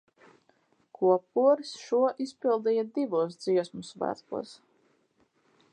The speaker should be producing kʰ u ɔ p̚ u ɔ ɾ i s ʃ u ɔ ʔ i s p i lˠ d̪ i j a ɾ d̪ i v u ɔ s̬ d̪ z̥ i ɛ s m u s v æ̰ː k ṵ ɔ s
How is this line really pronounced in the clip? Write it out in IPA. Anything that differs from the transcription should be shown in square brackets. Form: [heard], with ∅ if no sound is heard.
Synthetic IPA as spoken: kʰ u ɔ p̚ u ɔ ɾ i s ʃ u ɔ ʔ i s p i lˠ d̪ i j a [∅] d̪ i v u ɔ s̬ d̪ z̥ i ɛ s m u s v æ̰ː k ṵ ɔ s